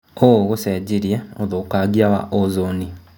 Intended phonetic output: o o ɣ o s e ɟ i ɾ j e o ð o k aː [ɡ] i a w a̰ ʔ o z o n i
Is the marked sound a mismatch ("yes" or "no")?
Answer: no